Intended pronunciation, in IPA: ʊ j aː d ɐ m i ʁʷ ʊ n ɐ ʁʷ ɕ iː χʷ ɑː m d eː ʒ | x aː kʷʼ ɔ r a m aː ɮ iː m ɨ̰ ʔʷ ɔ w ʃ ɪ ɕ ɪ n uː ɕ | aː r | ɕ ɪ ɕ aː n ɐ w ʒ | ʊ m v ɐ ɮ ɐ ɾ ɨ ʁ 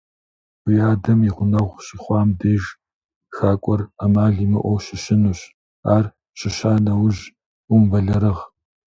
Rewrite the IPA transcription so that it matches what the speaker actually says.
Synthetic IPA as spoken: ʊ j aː d ɐ m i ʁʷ ʊ n ɐ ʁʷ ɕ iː χʷ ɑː m d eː ʒ | x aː kʷʼ ɔ r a m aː ɮ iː m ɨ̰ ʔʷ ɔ w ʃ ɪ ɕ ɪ n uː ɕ | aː r | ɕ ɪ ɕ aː n ɐ w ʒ | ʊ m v ɐ ɮ ɐ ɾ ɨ ʁ